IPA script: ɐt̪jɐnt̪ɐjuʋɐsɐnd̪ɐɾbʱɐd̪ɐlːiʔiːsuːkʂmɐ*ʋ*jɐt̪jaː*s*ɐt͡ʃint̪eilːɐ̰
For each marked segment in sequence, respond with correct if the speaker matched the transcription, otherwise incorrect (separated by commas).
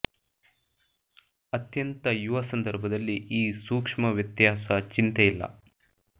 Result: correct, correct